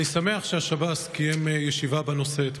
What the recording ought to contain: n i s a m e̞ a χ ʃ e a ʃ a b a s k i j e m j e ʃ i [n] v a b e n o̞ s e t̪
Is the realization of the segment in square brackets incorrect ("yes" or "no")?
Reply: yes